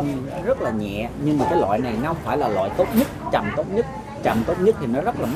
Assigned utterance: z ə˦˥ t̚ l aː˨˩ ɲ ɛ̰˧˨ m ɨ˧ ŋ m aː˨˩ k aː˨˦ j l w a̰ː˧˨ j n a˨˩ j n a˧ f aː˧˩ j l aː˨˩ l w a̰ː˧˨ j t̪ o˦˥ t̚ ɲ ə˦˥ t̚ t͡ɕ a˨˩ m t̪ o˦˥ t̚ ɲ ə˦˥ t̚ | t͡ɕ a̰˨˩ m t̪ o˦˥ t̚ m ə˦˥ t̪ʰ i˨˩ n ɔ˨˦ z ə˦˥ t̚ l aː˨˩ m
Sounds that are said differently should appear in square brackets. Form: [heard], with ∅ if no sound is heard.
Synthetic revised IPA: z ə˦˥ t̚ l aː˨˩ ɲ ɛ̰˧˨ [ɲ] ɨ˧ ŋ m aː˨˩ k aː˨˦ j l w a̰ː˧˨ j n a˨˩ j n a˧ f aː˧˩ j l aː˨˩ l w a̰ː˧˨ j t̪ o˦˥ t̚ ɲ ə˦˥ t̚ t͡ɕ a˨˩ m t̪ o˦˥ t̚ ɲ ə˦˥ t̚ | t͡ɕ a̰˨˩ m t̪ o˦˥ t̚ [ɲ] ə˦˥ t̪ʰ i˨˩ n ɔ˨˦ z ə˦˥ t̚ l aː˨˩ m